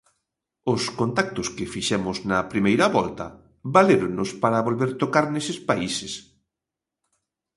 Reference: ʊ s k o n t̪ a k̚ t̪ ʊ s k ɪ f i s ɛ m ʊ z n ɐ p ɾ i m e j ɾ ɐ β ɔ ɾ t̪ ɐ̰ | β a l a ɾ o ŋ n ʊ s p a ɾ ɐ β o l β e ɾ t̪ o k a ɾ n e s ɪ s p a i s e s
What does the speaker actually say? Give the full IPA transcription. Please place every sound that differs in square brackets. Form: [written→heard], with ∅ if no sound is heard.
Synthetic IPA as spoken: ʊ s k o n t̪ a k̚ t̪ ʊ s k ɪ f i [s→ʃ] ɛ m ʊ z n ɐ p ɾ i m e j ɾ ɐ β ɔ [ɾ→l] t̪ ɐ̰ | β a l [a→e] ɾ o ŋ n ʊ s p a ɾ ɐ β o l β e ɾ t̪ o k a ɾ n e s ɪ s p a i s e s